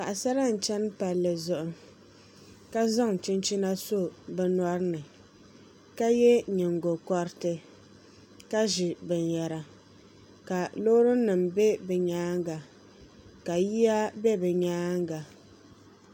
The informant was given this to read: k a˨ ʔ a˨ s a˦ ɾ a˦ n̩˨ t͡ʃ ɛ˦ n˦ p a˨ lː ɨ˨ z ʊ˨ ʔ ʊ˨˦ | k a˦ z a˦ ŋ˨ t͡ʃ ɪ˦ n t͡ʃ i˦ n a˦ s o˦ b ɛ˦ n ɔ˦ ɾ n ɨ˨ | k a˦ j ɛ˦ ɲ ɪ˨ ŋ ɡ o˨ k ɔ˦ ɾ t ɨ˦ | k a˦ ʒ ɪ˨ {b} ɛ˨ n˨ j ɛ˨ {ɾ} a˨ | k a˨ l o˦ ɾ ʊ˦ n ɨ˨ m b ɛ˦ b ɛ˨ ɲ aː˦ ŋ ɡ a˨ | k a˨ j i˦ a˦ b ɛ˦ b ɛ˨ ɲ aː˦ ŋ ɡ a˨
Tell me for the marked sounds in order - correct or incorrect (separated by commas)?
correct, correct